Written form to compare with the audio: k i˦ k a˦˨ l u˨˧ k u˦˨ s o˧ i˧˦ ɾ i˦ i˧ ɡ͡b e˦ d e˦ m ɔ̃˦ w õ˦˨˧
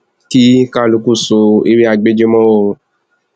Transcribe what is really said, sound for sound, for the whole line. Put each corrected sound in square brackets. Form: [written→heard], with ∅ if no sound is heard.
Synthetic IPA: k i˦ k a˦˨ l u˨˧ k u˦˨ s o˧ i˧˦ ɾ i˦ [i˧→a˧] ɡ͡b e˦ [d→d͡ʒ] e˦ m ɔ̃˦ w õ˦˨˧